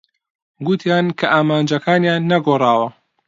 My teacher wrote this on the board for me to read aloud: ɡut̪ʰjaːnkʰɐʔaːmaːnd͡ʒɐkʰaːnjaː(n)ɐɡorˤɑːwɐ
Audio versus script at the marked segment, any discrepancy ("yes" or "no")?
yes